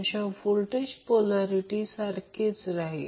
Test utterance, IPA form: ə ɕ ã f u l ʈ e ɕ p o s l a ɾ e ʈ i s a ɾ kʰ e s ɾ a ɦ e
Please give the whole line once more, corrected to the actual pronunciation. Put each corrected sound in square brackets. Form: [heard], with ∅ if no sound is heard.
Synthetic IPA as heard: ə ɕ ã f u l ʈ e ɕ p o [∅] l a ɾ [i] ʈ i s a ɾ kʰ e [t͡s] ɾ a ɦ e